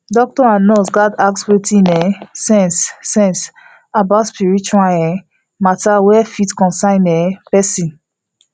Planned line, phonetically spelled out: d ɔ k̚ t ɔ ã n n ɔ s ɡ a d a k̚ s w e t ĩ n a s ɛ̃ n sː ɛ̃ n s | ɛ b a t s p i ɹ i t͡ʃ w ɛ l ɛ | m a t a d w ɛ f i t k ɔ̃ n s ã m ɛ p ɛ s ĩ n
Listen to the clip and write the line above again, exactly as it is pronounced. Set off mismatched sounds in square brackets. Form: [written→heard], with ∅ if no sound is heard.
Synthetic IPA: d ɔ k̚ t ɔ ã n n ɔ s ɡ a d a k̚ s w e t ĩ n [a→ɛ] s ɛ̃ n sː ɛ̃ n s | [ɛ→a] b a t s p i ɹ i t͡ʃ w [ɛ→a] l ɛ | m a t a [d→∅] w ɛ f i t k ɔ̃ n s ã [m→n] ɛ p ɛ s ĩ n